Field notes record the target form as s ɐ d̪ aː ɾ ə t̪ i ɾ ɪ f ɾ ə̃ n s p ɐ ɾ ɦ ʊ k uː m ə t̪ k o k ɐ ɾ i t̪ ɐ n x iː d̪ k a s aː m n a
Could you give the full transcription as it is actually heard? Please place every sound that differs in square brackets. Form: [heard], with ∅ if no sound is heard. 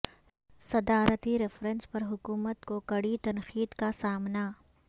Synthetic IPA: s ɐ d̪ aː ɾ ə t̪ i ɾ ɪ f ɾ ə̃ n s p ɐ ɾ ɦ ʊ k uː m ə t̪ k o k ɐ [ɽ] i t̪ ɐ n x iː d̪ k a s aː m n a